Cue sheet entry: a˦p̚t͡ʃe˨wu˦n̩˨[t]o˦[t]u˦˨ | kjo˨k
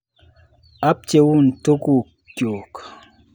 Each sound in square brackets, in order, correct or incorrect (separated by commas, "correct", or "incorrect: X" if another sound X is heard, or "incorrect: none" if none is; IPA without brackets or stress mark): correct, incorrect: k